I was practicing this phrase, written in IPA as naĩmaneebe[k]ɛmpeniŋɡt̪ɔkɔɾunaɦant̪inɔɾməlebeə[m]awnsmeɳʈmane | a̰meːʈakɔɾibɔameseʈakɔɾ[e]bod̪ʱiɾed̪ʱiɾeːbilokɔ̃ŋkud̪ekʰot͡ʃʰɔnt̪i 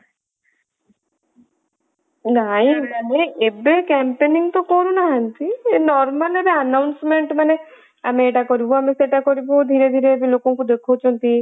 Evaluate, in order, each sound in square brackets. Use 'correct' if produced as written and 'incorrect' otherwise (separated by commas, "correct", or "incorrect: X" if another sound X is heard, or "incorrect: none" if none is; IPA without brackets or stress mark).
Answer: correct, incorrect: n, incorrect: i